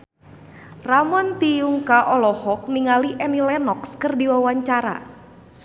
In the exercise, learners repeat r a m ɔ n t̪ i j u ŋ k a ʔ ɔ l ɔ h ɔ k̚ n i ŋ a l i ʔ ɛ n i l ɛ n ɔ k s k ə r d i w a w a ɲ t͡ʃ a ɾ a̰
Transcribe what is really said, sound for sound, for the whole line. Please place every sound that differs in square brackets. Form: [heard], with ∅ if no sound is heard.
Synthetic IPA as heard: r a m ɔ n t̪ i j u ŋ k a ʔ ɔ l ɔ h ɔ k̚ n i ŋ a l i ʔ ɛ n i l ɛ n ɔ k s k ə r d i w a w a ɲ t͡ʃ a ɾ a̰